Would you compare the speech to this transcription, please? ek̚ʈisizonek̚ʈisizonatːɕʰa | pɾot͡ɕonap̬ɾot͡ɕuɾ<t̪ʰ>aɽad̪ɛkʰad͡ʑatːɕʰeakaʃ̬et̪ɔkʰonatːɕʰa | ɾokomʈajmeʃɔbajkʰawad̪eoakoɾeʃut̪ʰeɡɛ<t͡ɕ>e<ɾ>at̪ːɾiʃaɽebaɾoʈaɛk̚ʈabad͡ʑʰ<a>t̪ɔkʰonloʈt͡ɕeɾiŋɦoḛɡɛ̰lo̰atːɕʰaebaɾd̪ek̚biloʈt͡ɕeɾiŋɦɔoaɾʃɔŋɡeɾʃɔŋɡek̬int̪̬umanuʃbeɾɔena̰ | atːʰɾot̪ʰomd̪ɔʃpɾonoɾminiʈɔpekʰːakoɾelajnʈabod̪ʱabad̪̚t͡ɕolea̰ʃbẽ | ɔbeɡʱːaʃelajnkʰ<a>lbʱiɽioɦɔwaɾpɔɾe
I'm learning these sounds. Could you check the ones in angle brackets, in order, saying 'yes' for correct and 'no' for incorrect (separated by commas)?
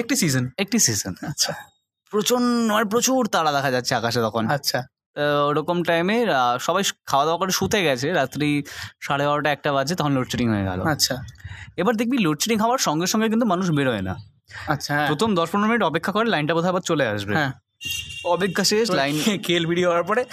no, no, yes, no, no